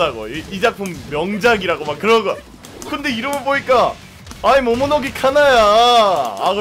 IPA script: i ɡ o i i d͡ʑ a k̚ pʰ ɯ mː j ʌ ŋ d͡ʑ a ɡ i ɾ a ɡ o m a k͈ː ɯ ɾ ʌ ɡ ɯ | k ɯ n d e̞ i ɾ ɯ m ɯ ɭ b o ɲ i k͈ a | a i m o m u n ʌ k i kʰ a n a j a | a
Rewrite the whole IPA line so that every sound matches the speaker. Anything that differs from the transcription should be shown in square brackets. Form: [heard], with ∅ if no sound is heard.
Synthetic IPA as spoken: [a] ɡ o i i d͡ʑ a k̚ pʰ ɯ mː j ʌ ŋ d͡ʑ a ɡ i ɾ a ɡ o m a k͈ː ɯ ɾ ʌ ɡ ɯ | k ɯ n d e̞ i ɾ ɯ m ɯ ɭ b o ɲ i k͈ a | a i m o m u n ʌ [ɡ] i kʰ a n a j a | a